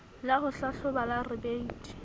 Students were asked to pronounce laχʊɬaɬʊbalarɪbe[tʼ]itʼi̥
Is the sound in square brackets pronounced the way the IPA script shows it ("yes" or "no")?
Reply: no